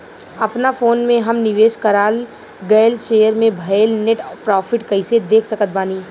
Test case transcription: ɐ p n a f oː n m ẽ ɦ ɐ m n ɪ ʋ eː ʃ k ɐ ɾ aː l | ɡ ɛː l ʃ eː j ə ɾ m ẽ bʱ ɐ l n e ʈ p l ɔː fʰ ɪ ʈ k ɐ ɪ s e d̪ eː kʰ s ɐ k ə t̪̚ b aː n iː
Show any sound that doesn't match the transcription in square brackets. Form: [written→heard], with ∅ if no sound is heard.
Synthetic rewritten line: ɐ p n a f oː n m ẽ ɦ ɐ m n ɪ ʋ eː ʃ k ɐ ɾ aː l | ɡ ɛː l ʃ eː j ə ɾ m ẽ bʱ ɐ l n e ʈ p [l→ɾ] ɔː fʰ ɪ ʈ k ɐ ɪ s e d̪ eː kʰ s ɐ k ə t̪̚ b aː n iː